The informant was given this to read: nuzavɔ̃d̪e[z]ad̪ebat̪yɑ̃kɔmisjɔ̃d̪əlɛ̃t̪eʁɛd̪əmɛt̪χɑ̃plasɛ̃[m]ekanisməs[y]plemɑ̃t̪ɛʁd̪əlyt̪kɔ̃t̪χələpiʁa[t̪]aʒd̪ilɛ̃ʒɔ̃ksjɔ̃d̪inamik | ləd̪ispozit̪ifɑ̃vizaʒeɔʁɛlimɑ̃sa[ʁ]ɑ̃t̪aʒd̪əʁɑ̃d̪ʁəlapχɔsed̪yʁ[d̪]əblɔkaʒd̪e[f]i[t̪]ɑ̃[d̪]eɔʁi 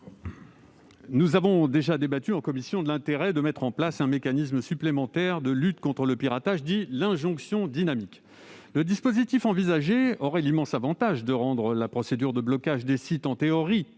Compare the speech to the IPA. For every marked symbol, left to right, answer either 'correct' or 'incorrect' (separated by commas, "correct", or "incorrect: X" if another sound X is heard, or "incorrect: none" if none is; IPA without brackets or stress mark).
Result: incorrect: ʒ, correct, correct, correct, incorrect: v, correct, incorrect: s, correct, incorrect: t̪